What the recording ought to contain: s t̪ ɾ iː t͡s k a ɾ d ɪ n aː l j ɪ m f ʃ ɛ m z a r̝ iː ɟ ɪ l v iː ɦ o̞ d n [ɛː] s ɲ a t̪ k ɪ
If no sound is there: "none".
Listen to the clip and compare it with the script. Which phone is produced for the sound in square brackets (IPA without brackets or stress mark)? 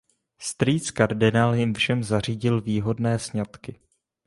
ɛː